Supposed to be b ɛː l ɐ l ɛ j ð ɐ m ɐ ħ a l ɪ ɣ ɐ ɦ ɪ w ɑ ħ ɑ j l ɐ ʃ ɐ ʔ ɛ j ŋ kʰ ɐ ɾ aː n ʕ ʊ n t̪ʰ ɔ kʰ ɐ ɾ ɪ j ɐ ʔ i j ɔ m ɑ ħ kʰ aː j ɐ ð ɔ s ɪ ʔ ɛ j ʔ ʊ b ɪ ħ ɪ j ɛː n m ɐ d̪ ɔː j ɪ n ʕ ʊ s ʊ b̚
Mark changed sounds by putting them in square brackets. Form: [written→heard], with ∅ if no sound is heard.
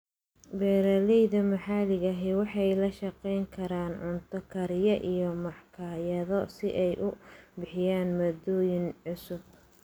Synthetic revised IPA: b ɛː [l→ɾ] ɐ l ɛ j ð ɐ m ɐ ħ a l ɪ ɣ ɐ ɦ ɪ w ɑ ħ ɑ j l ɐ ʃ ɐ [ʔ→q] ɛ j ŋ kʰ ɐ ɾ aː n ʕ ʊ n t̪ʰ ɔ kʰ ɐ ɾ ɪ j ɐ ʔ i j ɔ m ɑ ħ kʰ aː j ɐ ð ɔ s ɪ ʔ ɛ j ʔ ʊ b ɪ ħ ɪ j [ɛː→aː] n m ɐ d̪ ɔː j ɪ n ʕ ʊ s ʊ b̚

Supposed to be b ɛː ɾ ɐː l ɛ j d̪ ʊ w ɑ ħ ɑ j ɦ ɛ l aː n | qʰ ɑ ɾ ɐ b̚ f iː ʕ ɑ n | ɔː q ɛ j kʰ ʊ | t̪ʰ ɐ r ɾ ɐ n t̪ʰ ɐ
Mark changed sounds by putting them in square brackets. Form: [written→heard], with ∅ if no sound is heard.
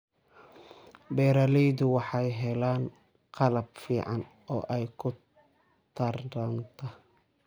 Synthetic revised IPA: b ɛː ɾ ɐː l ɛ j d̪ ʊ w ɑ ħ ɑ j ɦ ɛ l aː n | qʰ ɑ [ɾ→l] ɐ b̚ f iː ʕ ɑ n | ɔː [q→ʔ] ɛ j kʰ ʊ | t̪ʰ ɐ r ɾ ɐ n t̪ʰ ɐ

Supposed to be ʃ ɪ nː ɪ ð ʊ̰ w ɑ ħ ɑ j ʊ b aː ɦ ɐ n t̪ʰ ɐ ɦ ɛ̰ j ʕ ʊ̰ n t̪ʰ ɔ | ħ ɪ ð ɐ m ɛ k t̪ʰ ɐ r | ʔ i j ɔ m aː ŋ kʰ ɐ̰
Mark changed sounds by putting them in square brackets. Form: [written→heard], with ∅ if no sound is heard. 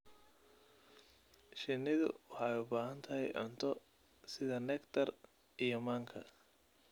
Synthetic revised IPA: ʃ ɪ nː ɪ ð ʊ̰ w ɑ ħ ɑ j ʊ b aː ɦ ɐ n t̪ʰ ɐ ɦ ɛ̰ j ʕ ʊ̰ n t̪ʰ ɔ | [ħ→s] ɪ ð ɐ [m→n] ɛ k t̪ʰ ɐ r | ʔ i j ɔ m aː ŋ kʰ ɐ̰

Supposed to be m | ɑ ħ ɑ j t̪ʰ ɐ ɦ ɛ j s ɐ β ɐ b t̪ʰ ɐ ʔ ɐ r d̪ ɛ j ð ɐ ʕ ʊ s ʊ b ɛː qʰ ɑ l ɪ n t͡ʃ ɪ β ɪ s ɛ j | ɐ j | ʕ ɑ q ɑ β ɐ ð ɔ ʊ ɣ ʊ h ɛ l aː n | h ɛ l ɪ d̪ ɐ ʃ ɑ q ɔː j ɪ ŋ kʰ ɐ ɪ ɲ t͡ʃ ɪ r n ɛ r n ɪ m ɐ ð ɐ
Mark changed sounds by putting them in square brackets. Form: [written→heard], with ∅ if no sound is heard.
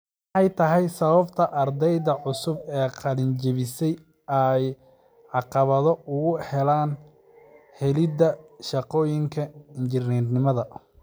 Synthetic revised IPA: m | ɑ ħ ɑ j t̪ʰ ɐ ɦ ɛ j s ɐ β ɐ b t̪ʰ ɐ ʔ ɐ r d̪ ɛ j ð ɐ ʕ ʊ s ʊ b ɛː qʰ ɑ l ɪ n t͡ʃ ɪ β ɪ s ɛ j | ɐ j | ʕ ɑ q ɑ β ɐ ð ɔ ʊ ɣ ʊ h ɛ l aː n | h ɛ l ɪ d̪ ɐ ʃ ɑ q ɔː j ɪ ŋ kʰ ɐ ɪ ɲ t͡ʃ ɪ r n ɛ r n ɪ m ɐ ð ɐ

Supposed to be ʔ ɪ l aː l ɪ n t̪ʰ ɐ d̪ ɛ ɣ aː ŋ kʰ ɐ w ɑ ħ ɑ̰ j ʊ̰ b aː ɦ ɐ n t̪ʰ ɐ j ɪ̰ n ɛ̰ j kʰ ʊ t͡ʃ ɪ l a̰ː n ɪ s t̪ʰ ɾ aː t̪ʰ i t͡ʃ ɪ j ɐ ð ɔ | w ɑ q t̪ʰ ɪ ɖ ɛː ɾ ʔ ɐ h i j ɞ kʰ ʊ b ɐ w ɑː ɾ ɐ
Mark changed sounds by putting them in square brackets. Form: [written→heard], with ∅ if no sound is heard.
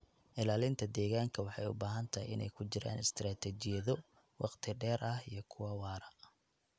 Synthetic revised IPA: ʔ ɪ l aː l ɪ n t̪ʰ ɐ d̪ [ɛ→ɛː] ɣ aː ŋ kʰ ɐ w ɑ ħ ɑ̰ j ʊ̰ b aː ɦ ɐ n t̪ʰ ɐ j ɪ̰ n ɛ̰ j kʰ ʊ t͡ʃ ɪ [l→ɾ] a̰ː n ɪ s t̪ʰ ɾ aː t̪ʰ [i→ɛ] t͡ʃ ɪ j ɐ ð ɔ | w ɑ q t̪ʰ ɪ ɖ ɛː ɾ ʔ ɐ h i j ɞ kʰ ʊ [b→w] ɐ w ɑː ɾ ɐ

